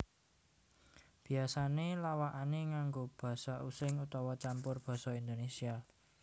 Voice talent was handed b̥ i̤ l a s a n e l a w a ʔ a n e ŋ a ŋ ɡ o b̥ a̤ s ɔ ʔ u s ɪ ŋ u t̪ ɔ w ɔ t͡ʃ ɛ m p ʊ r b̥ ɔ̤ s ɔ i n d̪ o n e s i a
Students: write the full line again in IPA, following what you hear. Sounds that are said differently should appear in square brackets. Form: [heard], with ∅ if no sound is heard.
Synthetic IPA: b̥ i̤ [∅] a s a n e l a w a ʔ a n e ŋ a ŋ ɡ o b̥ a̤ s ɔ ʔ u s ɪ ŋ u t̪ ɔ w ɔ t͡ʃ [a] m p ʊ r b̥ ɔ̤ s ɔ i n d̪ o n e s i a